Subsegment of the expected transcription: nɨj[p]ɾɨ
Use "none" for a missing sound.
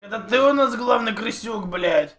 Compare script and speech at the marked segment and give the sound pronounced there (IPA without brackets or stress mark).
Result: k